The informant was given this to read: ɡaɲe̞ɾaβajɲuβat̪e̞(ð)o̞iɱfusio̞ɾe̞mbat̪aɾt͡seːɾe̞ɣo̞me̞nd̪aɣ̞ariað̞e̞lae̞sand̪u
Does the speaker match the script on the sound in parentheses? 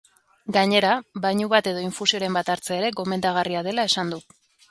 yes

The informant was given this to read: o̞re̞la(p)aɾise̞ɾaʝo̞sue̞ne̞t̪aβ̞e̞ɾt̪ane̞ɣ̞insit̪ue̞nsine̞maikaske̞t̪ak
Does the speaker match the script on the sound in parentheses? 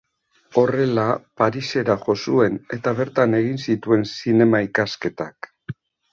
yes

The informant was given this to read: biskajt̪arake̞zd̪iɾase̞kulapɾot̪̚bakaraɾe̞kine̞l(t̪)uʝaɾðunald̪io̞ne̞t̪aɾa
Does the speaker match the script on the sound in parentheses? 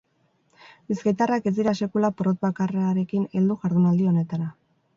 no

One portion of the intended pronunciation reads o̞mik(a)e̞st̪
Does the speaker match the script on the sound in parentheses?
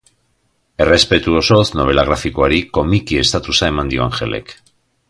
no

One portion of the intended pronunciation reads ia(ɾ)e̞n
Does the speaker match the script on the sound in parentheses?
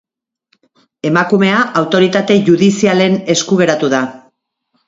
no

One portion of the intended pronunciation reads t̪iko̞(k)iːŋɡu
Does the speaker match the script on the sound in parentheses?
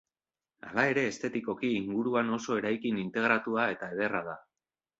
yes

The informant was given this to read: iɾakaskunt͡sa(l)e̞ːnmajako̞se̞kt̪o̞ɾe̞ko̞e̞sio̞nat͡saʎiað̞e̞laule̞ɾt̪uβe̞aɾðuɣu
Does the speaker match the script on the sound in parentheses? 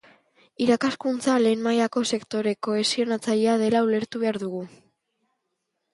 yes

